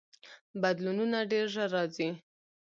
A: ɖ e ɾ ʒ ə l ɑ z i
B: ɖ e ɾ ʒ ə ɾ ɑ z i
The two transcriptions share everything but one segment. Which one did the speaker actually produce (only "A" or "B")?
B